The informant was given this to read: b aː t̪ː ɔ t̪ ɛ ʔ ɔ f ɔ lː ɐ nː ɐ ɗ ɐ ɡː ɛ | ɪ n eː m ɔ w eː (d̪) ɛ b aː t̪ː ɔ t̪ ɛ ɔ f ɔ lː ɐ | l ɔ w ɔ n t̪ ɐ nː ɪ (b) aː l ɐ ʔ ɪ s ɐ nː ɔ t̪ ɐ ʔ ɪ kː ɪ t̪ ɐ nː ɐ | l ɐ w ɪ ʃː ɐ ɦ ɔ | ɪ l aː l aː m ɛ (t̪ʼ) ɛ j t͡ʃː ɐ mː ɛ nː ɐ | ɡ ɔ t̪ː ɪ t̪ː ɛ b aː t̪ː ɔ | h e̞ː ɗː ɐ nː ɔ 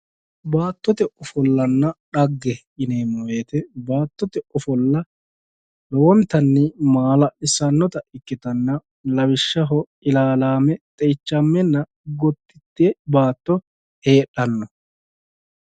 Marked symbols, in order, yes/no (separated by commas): no, no, yes